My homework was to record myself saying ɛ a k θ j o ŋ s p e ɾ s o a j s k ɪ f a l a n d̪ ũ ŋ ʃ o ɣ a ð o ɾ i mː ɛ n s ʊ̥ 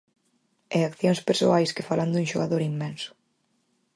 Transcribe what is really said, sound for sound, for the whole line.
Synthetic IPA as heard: ɛ a k θ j o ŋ s p e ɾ s o a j s k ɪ f a l a n d̪ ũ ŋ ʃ o ɣ a ð o ɾ i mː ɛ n s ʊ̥